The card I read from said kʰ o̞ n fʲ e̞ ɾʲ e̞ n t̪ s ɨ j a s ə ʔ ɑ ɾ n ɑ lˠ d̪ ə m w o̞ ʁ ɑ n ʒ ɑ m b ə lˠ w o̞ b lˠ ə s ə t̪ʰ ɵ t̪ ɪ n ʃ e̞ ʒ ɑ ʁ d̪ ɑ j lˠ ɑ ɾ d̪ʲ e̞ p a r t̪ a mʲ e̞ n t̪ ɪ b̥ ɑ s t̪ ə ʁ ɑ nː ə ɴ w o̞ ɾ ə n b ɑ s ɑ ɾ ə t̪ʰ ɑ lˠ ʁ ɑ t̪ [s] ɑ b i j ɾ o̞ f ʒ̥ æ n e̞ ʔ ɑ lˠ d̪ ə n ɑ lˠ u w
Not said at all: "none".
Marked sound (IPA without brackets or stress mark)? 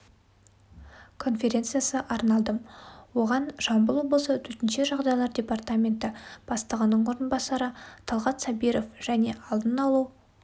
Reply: s